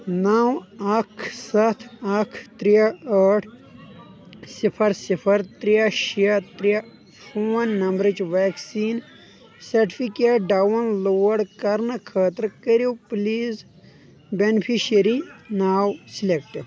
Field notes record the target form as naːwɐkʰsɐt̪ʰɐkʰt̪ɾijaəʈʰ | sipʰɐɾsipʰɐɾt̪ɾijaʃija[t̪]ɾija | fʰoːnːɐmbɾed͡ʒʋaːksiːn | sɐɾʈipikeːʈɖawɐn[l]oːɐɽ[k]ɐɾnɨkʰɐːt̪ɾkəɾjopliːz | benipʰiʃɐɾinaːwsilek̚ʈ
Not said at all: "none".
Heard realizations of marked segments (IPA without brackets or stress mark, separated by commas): t̪, l, k